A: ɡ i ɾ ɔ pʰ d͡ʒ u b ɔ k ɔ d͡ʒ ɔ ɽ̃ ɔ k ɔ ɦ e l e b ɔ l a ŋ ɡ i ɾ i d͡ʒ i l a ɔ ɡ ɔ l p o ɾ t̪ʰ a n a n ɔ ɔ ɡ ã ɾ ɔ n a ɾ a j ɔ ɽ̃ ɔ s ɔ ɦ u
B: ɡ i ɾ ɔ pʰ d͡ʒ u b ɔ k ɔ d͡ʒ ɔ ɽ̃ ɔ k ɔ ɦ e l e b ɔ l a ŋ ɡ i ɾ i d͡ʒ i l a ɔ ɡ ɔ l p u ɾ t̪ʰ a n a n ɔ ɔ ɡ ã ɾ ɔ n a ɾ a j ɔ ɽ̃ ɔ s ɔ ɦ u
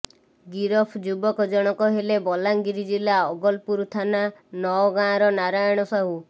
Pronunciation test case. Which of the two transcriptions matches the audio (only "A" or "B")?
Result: B